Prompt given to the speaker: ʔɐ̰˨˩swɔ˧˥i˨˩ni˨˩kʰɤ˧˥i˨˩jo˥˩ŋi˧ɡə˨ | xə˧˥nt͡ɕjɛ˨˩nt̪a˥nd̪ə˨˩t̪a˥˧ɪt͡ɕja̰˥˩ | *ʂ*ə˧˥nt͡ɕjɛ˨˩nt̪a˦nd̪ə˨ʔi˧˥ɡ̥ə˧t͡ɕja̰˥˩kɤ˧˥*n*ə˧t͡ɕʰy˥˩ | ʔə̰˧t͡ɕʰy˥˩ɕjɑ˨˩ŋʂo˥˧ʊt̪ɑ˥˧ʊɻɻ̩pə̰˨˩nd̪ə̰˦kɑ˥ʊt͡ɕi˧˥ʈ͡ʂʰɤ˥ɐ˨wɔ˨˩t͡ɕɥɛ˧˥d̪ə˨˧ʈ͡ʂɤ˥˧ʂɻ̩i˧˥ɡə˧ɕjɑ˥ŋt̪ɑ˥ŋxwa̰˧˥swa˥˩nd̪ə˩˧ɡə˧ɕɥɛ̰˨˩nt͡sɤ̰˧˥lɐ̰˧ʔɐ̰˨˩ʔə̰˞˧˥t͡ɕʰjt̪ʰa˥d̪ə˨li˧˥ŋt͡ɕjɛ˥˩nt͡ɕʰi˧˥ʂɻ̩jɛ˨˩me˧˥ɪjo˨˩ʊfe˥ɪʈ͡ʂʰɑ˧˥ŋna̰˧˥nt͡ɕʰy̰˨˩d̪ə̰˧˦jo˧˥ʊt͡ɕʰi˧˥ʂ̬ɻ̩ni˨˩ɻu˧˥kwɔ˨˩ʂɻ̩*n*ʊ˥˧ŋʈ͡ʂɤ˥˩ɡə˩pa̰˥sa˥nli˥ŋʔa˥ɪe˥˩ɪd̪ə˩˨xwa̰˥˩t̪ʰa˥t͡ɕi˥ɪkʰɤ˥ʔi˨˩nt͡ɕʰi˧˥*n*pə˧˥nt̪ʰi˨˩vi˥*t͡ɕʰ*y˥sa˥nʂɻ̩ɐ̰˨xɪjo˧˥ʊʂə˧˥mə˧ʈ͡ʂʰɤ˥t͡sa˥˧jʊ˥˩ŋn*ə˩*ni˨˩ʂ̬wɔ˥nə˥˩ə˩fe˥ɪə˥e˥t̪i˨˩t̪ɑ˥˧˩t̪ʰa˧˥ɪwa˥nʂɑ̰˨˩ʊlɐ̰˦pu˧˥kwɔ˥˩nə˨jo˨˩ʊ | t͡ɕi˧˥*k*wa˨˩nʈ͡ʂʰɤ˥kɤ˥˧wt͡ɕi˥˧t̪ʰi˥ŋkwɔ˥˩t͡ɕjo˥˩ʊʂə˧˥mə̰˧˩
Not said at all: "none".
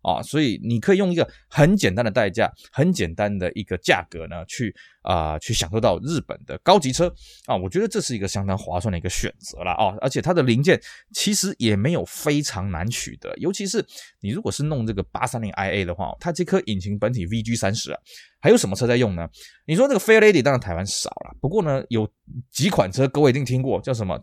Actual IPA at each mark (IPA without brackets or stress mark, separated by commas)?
x, n, n, ŋ, t͡ɕ, ə˩, kʰ